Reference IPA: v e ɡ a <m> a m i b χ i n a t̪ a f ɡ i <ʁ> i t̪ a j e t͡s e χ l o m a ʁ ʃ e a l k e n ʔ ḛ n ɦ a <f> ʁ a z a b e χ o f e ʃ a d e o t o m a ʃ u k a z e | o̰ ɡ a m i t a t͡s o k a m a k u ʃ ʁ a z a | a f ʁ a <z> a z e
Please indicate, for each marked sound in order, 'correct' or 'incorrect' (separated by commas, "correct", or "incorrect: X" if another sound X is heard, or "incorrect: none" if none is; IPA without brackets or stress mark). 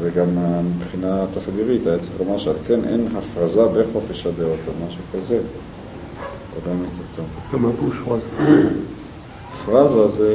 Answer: correct, correct, correct, correct